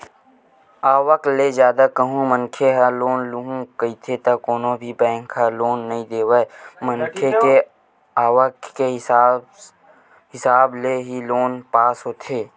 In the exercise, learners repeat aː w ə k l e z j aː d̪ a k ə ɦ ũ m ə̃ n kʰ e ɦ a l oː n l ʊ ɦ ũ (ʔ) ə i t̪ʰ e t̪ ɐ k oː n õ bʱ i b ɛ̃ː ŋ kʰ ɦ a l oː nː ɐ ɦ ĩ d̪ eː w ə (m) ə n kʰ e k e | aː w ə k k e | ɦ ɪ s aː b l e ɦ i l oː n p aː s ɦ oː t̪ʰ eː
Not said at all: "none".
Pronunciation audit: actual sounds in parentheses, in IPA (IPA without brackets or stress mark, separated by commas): k, m